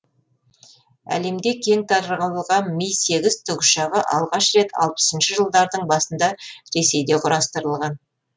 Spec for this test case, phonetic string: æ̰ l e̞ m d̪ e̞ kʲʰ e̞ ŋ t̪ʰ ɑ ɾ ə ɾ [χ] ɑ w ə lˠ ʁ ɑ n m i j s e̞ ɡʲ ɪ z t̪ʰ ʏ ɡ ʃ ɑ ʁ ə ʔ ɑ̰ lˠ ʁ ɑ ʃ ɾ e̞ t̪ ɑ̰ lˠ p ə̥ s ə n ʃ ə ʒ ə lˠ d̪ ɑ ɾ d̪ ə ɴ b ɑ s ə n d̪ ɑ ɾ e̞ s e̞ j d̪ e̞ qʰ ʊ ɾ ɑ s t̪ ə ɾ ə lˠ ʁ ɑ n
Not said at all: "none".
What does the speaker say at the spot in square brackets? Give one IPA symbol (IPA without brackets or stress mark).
ʁ